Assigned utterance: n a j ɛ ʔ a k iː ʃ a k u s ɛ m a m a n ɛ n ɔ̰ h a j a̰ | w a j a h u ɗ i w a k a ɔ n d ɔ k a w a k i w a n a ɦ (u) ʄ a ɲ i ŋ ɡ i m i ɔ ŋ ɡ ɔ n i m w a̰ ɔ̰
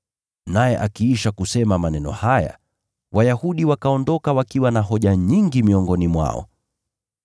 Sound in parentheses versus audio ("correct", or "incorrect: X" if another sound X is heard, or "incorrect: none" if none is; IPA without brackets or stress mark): incorrect: ɔ